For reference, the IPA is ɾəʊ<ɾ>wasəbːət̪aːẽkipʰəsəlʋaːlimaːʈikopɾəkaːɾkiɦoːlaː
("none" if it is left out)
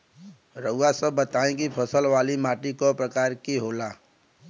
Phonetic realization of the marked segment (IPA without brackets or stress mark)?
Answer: none